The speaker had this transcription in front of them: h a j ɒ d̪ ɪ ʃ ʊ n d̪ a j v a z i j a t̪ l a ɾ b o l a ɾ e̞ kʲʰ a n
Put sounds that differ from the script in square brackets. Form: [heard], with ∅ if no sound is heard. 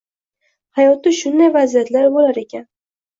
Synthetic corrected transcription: h a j ɒ [t̪] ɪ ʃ ʊ n d̪ a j v a z i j a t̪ l a ɾ b o l a ɾ e̞ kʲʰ a n